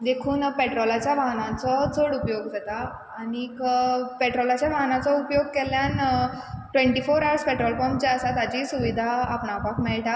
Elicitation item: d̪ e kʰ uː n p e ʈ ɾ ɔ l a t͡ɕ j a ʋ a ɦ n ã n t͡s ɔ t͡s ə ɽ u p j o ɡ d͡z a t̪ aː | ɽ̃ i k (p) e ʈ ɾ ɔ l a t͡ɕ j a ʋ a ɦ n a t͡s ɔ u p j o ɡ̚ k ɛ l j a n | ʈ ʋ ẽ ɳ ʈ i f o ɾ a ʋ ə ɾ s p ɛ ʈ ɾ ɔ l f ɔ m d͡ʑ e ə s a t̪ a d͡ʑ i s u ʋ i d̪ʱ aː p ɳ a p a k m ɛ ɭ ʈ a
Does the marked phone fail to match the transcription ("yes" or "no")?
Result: no